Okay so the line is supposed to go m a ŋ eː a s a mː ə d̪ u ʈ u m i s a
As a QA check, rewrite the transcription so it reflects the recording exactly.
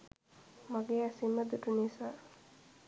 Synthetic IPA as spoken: m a ɡ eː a s i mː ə d̪ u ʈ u n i s a

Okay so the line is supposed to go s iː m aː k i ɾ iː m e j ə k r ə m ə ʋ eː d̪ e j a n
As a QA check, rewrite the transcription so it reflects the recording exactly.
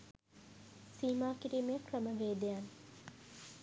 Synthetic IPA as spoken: s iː m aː k i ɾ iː m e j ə k r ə m ə ʋ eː d̪ e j a n

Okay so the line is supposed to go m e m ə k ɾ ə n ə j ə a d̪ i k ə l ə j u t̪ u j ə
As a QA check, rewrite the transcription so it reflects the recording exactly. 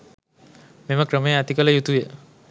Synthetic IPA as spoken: m e m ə k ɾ ə m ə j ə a t̪ i k ə l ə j u t̪ u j ə

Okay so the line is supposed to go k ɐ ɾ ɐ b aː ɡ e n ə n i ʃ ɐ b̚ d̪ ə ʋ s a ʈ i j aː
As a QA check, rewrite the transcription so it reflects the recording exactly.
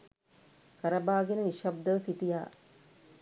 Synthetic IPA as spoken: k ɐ ɾ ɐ b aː ɡ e n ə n i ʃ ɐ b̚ d̪ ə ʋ s i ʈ i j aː

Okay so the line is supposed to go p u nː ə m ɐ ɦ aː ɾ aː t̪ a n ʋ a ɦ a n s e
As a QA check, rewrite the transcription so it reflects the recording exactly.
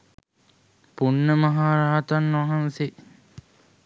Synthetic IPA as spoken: p u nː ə m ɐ ɦ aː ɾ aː t̪ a n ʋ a ɦ a n s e

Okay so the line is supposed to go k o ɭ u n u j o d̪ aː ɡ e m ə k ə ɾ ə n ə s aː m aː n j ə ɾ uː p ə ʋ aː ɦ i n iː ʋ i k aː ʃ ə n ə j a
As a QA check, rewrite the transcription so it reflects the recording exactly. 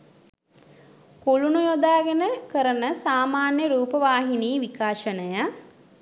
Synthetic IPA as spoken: k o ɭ u n u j o d̪ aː ɡ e n ə k ə ɾ ə n ə s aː m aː n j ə ɾ uː p ə ʋ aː ɦ i n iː ʋ i k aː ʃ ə n ə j a

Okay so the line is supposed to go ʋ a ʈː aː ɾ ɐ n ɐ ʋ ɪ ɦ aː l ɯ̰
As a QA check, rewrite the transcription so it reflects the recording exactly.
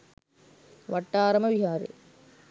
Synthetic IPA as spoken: ʋ ɐ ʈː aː ɾ ɐ m ɐ ʋ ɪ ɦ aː ɾ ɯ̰

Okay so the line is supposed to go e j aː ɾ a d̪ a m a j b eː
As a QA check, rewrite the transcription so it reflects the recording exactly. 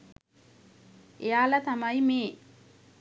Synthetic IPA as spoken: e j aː l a t̪ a m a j m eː

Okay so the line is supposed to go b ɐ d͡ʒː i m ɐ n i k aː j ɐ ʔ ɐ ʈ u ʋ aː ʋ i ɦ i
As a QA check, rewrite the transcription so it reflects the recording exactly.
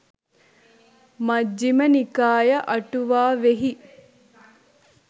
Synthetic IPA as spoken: m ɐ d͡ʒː i m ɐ n i k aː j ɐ ʔ ɐ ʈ u ʋ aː ʋ e ɦ i

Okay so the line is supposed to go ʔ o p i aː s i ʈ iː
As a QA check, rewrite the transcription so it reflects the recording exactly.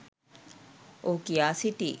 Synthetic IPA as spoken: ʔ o k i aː s i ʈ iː

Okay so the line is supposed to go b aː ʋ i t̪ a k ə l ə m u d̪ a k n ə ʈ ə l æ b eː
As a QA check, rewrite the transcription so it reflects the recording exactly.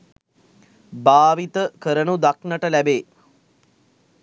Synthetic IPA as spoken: b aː ʋ i t̪ ə k ə ɾ ə n u d̪ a k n ə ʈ ə l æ b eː

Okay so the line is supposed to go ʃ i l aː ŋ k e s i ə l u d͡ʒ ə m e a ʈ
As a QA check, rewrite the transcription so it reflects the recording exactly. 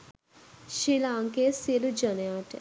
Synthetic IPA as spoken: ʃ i l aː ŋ k e s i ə l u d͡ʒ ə n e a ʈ

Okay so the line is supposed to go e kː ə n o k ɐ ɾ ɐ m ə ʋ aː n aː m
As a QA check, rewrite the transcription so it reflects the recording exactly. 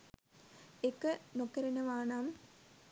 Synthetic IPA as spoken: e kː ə n o k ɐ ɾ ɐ n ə ʋ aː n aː m

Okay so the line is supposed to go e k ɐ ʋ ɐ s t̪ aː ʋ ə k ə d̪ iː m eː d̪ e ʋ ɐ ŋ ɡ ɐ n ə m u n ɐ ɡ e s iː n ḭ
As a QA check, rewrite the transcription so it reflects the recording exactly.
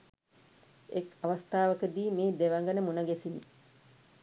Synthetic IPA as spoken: e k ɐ ʋ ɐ s t̪ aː ʋ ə k ə d̪ iː m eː d̪ e ʋ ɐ ŋ ɡ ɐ n ə m u n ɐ ɡ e s i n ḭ

